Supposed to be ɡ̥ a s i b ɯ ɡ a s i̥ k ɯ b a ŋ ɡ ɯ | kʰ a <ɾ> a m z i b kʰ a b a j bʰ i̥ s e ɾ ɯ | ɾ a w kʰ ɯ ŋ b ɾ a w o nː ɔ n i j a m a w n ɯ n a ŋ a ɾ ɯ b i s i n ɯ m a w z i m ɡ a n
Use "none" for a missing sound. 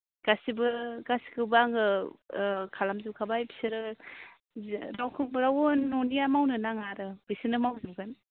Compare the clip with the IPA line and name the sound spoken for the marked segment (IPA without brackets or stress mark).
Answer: l